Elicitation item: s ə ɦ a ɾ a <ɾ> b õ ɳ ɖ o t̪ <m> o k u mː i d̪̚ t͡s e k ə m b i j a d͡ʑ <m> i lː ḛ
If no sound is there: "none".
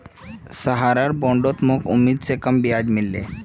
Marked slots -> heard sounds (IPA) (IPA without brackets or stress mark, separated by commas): ɾ, m, m